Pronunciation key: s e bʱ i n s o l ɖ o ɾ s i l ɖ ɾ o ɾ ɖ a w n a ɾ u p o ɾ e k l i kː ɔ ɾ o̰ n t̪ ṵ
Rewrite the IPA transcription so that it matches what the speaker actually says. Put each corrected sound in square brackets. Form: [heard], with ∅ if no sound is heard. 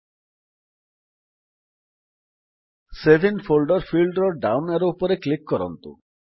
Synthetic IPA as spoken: s e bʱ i n [f] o l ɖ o ɾ [f] i l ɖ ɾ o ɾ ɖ a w n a ɾ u p o ɾ e k l i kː ɔ ɾ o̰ n t̪ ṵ